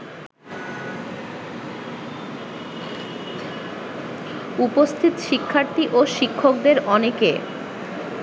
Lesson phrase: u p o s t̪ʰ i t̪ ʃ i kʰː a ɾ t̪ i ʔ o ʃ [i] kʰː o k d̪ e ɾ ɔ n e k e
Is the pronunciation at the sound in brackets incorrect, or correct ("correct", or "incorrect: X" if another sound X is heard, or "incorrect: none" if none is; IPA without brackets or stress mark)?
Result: correct